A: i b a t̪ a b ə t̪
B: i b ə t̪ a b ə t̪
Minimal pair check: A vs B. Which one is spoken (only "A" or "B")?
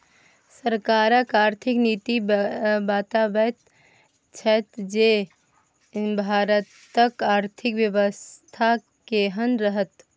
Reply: A